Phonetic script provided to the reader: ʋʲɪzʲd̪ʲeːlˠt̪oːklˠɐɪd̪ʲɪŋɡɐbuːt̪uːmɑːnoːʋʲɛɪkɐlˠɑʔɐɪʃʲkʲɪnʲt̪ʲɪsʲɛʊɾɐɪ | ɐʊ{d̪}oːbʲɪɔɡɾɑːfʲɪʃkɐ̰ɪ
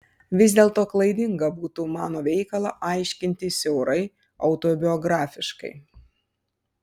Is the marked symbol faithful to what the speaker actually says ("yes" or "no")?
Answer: no